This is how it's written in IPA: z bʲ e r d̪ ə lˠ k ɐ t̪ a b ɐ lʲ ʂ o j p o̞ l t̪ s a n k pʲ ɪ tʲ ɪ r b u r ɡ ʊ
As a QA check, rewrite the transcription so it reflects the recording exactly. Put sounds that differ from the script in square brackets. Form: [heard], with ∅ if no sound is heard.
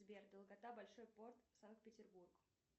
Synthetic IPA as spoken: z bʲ e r d̪ ə lˠ [ɡ] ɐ t̪ a b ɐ lʲ ʂ o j p o̞ [r] t̪ s a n k pʲ ɪ tʲ ɪ r b u r ɡ ʊ